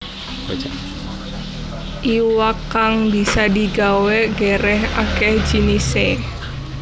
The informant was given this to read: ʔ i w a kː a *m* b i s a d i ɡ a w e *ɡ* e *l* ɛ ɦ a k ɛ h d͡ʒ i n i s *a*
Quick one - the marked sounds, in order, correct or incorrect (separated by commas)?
incorrect, correct, incorrect, incorrect